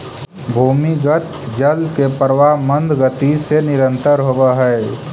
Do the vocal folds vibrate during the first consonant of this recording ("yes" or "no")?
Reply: yes